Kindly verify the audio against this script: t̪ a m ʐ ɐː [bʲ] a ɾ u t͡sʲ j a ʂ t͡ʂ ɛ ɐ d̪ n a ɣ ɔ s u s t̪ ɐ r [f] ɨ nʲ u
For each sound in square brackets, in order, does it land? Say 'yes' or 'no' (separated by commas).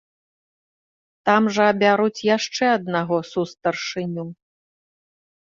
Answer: yes, no